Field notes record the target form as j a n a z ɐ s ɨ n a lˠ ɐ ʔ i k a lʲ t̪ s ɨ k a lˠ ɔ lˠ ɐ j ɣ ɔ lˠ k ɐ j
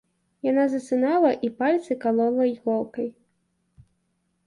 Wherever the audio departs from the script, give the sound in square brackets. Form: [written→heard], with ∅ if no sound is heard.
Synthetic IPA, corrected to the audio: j a n a z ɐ s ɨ n a lˠ ɐ ʔ i [k→p] a lʲ t̪ s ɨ k a lˠ ɔ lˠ ɐ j ɣ ɔ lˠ k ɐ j